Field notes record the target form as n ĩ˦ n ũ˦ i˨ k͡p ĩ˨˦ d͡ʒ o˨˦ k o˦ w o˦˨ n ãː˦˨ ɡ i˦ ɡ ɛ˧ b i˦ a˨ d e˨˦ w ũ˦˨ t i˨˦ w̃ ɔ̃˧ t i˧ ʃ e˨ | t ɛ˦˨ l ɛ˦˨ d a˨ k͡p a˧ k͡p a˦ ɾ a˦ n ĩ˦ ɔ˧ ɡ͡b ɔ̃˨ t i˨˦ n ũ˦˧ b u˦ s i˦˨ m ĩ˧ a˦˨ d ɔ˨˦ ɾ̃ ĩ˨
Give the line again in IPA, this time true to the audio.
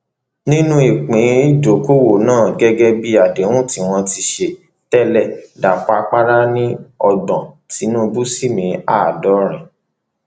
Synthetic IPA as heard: n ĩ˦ n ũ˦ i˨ k͡p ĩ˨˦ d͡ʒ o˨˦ k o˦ w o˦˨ n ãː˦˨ ɡ ɛ˦ ɡ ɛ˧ b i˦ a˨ d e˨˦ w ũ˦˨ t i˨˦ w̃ ɔ̃˧ t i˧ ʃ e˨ | t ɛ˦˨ l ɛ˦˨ d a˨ k͡p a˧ k͡p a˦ ɾ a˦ n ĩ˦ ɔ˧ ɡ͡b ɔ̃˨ t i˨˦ n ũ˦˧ b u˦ s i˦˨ m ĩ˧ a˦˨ d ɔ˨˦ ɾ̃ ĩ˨

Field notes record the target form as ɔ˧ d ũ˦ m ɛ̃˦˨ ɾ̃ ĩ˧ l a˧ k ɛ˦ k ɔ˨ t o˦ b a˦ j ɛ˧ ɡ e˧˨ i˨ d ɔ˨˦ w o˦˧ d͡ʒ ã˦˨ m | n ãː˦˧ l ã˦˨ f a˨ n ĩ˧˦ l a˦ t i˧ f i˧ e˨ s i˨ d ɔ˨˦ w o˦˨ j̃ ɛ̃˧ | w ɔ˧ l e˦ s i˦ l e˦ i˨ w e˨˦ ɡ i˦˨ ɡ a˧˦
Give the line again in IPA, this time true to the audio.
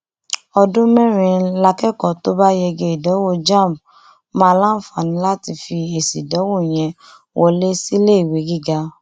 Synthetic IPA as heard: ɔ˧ d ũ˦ m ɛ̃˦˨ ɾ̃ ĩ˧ l a˧ k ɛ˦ k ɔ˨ t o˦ b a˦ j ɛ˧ ɡ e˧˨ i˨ d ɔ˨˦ w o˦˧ d͡ʒ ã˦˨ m | m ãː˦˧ l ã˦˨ f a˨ n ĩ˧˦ l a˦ t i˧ f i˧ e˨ s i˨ d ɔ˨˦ w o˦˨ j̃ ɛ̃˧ | w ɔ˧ l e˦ s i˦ l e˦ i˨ w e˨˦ ɡ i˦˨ ɡ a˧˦

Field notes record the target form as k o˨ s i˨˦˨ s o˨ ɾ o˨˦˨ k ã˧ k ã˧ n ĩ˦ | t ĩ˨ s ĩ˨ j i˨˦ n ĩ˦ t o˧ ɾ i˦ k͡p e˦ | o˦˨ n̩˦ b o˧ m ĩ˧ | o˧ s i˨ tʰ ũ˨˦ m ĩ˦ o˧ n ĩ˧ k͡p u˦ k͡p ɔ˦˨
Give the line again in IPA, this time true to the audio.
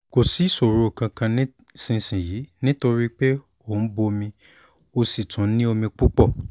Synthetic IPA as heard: k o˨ s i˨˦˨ s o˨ ɾ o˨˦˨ k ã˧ k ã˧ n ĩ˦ | s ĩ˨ s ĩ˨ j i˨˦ n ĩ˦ t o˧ ɾ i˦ k͡p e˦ | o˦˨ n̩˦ b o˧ m ĩ˧ | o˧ s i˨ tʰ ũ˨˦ n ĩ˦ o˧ m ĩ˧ k͡p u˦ k͡p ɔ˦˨

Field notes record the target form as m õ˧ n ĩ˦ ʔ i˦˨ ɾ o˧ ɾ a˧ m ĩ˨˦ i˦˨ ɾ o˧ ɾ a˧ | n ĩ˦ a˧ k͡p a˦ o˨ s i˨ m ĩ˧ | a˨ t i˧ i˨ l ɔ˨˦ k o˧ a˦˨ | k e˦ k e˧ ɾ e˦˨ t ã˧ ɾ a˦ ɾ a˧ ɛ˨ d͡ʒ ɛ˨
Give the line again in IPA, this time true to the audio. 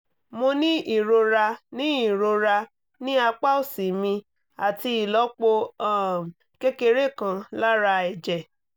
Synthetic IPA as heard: m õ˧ n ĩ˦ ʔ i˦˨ ɾ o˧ ɾ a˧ n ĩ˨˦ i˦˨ ɾ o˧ ɾ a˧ | n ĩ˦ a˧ k͡p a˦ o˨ s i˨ m ĩ˧ | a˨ t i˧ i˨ l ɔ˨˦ k͡p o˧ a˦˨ | k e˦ k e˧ ɾ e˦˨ k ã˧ l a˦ ɾ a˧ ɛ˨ d͡ʒ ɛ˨

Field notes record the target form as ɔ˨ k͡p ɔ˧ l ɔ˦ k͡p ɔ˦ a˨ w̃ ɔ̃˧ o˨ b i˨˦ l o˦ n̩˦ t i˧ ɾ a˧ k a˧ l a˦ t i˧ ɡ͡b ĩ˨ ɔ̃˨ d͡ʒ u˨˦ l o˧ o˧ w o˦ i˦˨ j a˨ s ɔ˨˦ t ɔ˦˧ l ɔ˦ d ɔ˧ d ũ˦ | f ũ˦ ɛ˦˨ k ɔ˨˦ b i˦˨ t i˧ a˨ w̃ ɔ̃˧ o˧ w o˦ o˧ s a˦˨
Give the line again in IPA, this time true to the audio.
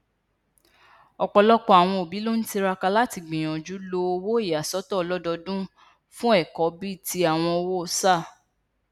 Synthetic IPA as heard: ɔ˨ k͡p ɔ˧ l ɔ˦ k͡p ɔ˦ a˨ w̃ ɔ̃˧ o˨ b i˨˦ l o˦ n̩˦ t i˧ ɾ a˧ k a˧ l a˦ t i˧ ɡ͡b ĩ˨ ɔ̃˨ d͡ʒ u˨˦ l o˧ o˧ w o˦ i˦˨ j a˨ s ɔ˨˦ t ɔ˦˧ l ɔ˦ d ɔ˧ d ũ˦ | f ũ˦ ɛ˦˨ k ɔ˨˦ b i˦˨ t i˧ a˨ w̃ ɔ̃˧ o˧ w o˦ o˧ s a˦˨

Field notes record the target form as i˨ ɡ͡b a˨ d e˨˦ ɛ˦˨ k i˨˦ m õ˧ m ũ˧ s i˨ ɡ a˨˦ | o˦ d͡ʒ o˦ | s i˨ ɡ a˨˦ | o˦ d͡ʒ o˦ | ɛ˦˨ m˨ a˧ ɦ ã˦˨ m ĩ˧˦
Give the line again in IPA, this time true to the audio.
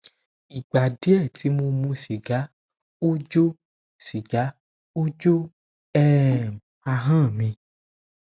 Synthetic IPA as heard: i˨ ɡ͡b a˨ d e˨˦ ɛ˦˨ t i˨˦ m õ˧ m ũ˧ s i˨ ɡ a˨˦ | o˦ d͡ʒ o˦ | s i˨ ɡ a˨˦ | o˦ d͡ʒ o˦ | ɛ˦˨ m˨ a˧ ɦ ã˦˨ m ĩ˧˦

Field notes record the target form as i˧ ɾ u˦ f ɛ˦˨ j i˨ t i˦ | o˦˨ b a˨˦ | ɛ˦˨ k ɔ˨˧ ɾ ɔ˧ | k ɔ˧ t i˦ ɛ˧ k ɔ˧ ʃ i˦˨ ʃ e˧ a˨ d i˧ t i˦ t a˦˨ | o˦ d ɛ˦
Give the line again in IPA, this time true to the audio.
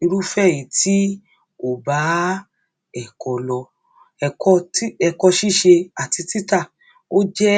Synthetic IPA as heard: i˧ ɾ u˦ f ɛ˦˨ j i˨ t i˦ | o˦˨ b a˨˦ | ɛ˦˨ k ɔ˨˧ l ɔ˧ | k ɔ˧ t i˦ ɛ˧ k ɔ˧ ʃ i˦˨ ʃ e˧ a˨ t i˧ t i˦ t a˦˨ | o˦ d͡ʒ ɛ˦

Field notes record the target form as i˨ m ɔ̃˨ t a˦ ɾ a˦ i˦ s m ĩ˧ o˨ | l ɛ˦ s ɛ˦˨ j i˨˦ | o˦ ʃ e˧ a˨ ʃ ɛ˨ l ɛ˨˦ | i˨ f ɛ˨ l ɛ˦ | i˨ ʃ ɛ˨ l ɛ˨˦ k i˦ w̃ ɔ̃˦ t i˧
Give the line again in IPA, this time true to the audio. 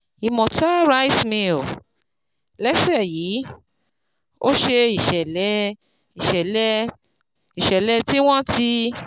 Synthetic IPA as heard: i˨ m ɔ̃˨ t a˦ ɾ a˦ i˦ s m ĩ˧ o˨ | l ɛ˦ s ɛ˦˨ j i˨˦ | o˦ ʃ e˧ i˨ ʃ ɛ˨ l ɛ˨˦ | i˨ ʃ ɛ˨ l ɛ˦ | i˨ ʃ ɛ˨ l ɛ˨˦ t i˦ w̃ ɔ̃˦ t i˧

